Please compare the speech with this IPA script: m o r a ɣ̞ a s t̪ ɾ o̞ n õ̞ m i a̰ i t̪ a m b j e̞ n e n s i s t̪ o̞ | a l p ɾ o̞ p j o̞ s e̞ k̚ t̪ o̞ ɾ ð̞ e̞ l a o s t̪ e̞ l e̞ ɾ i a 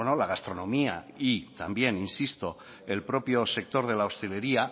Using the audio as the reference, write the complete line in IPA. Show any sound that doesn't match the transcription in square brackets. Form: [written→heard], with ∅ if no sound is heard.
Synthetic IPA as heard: [m→n] o [r→l] a ɣ̞ a s t̪ ɾ o̞ n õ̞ m i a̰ i t̪ a m b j e̞ n [e→i] n s i s t̪ o̞ | [a→e] l p ɾ o̞ p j o̞ s e̞ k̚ t̪ o̞ ɾ ð̞ e̞ l a o s t̪ e̞ l e̞ ɾ i a